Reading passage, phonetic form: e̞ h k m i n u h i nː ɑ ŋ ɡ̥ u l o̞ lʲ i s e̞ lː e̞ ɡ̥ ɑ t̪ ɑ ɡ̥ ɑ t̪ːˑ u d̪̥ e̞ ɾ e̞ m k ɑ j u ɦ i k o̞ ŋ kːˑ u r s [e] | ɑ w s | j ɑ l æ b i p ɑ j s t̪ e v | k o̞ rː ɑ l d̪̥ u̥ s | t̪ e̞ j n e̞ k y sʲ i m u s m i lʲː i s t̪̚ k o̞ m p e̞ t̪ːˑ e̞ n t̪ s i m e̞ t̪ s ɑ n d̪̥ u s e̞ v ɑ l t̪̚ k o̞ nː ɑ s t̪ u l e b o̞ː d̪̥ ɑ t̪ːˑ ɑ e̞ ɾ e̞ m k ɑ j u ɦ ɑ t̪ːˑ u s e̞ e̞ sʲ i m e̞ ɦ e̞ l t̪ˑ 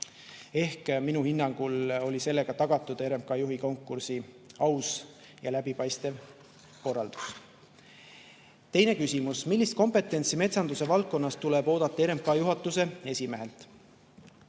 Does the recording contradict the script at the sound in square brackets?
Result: yes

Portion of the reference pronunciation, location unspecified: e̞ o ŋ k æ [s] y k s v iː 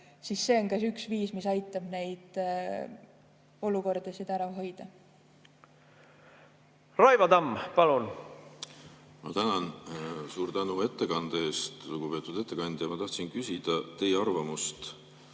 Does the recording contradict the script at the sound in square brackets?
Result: no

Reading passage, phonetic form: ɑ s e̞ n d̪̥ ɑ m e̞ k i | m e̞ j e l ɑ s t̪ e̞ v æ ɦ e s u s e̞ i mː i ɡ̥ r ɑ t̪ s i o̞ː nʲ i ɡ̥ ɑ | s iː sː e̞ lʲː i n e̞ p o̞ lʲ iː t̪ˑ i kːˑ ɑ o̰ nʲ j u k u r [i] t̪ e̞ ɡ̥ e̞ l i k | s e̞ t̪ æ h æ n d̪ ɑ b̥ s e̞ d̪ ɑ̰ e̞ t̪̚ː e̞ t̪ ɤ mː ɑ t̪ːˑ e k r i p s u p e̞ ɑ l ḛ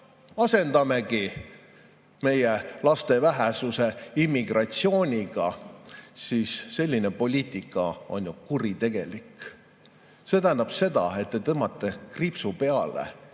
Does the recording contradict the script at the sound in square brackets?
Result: no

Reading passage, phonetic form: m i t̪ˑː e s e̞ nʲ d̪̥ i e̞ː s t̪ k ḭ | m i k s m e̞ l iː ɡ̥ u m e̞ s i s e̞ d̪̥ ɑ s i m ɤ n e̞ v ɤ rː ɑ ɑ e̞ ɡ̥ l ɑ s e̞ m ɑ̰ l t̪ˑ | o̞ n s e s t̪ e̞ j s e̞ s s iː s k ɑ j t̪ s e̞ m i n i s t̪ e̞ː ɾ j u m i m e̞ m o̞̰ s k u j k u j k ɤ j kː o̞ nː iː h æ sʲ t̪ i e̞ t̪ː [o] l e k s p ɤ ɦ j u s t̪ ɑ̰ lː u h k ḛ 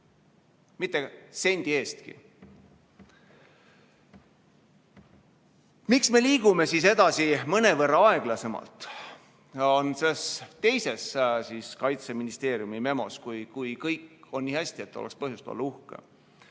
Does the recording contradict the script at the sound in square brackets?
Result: no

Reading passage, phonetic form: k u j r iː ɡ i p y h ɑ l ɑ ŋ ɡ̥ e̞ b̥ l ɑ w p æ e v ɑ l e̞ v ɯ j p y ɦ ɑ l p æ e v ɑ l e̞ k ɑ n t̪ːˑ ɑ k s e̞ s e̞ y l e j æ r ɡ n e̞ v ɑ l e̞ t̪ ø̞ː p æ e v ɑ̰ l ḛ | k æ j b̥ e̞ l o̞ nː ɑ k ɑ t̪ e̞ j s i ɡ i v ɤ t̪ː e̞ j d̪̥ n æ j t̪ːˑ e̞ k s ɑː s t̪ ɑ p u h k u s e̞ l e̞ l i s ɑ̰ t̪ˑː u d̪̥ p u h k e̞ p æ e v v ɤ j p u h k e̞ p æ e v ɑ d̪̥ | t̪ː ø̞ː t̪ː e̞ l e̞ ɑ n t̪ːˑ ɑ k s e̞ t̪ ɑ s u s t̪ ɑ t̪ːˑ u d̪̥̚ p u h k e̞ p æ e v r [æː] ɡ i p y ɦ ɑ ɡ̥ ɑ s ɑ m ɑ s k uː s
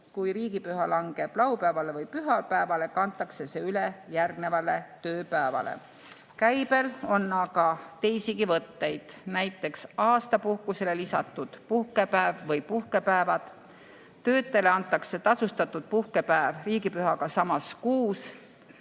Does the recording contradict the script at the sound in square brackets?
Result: yes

